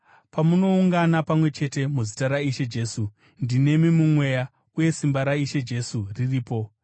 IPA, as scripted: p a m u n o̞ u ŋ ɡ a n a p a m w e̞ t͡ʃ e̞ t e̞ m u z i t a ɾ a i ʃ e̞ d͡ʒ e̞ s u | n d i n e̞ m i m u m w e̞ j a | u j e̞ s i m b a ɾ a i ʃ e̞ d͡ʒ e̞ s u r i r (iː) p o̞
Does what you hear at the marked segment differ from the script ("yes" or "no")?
no